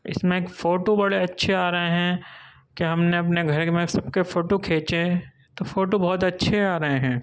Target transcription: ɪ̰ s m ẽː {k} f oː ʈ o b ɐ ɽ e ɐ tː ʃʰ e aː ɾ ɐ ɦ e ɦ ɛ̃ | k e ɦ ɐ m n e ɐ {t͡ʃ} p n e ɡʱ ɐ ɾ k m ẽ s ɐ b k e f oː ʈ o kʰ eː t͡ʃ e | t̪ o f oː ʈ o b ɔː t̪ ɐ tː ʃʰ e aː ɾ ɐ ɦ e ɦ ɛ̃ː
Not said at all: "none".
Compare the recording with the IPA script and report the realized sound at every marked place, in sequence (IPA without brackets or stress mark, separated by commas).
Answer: k, none